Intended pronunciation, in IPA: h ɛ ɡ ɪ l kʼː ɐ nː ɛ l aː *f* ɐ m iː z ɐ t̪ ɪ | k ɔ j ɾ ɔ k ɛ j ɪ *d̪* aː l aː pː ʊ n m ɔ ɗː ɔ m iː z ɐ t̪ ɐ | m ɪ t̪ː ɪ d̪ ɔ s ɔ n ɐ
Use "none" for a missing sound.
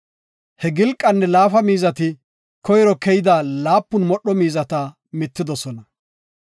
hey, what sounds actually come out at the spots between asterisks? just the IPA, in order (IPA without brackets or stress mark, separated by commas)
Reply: f, d̪